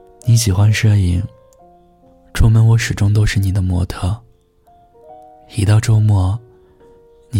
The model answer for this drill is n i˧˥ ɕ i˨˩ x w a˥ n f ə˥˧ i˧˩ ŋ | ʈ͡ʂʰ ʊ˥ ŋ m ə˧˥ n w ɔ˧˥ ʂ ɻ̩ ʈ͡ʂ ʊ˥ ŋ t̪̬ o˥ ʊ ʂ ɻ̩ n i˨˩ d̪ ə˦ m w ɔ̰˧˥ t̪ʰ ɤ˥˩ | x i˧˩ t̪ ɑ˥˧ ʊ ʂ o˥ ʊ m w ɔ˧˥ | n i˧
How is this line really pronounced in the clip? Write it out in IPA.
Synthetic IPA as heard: n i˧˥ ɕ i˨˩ x w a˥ n ʂ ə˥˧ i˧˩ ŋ | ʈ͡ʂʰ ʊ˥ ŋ m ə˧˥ n w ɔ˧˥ ʂ ɻ̩ ʈ͡ʂ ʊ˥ ŋ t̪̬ o˥ ʊ ʂ ɻ̩ n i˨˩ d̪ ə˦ m w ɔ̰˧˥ t̪ʰ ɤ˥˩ | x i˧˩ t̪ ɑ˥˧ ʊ ʈ͡ʂ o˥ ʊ m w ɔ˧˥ | n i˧